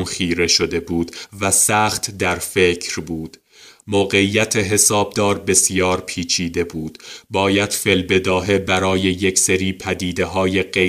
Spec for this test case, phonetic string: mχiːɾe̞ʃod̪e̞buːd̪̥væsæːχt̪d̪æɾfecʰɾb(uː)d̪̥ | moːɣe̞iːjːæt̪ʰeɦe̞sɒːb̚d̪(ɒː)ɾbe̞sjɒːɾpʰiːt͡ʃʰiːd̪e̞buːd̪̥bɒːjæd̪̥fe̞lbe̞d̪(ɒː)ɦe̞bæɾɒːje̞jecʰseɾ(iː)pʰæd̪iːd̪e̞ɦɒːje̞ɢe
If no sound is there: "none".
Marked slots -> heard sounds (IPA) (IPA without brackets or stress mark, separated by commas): uː, ɒː, ɒː, iː